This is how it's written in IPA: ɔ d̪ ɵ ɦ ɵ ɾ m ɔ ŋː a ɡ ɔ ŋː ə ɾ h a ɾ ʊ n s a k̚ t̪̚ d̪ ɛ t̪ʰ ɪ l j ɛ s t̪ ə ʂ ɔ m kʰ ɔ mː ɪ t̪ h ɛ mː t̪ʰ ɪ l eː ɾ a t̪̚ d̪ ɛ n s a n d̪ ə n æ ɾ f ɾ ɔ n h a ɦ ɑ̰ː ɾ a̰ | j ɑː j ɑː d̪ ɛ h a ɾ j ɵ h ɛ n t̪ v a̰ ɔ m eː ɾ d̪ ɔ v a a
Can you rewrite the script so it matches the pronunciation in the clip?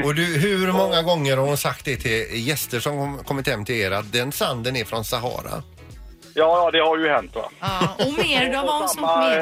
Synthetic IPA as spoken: ɔ d̪ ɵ ɦ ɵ ɾ m ɔ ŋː a ɡ ɔ ŋː ə ɾ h a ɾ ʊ n s a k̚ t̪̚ d̪ ɛ t̪ʰ ɪ l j ɛ s t̪ ə ʂ ɔ m kʰ ɔ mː ɪ t̪ h ɛ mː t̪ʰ ɪ l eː ɾ a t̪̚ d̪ ɛ n s a n d̪ ə n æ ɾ f ɾ ɔ n s a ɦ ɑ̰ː ɾ a̰ | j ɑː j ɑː d̪ ɛ h a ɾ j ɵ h ɛ n t̪ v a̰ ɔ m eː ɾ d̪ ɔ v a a